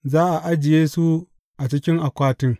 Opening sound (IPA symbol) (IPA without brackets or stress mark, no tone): z